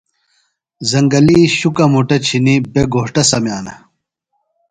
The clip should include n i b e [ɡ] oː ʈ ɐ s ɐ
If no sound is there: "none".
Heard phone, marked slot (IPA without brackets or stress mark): ɡ